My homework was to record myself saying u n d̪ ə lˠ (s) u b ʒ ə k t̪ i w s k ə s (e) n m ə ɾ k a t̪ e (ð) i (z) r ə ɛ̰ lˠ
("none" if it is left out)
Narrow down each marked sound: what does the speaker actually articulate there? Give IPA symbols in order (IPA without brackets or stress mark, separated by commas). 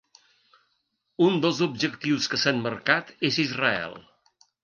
z, a, z, z